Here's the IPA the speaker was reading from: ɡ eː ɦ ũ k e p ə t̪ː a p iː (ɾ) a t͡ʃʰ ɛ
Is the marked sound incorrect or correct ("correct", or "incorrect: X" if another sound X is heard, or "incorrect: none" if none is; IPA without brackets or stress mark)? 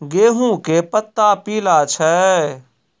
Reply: incorrect: l